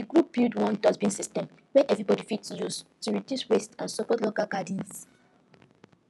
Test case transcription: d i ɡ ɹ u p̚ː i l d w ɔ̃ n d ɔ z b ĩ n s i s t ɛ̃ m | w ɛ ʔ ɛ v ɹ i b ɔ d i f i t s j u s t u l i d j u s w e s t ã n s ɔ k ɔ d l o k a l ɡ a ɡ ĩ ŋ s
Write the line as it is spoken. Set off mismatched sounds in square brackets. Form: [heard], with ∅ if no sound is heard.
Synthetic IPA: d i ɡ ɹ u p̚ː i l d w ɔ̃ n d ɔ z b ĩ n s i s t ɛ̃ m | w ɛ ʔ ɛ v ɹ i b ɔ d i f i t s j u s t u [ɹ] i d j u s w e s t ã n s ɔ k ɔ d l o k a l ɡ a [d] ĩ [n] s